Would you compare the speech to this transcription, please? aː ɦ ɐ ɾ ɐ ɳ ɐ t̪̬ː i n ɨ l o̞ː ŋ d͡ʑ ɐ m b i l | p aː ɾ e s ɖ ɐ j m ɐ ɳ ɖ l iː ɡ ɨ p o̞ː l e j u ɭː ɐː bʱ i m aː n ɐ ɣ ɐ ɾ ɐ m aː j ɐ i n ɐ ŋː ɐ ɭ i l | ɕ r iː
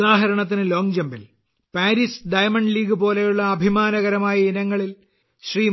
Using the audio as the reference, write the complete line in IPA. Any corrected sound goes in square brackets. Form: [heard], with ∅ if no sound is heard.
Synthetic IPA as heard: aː ɦ ɐ ɾ ɐ ɳ ɐ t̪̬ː i n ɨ l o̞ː ŋ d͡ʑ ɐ m b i l | p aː ɾ [i] s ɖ ɐ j m ɐ ɳ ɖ l iː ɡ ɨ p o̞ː l e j u ɭː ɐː bʱ i m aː n ɐ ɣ ɐ ɾ ɐ m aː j ɐ i n ɐ ŋː ɐ ɭ i l | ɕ r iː